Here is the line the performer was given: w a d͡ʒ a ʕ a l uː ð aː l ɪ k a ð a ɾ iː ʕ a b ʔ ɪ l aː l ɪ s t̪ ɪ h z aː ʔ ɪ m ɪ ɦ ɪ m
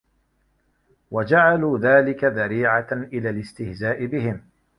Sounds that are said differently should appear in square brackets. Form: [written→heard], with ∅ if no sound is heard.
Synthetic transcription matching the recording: w a d͡ʒ a ʕ a l uː ð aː l ɪ k a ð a ɾ iː ʕ a [b→∅] ʔ ɪ l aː l ɪ s t̪ ɪ h z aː ʔ ɪ [m→b] ɪ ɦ ɪ m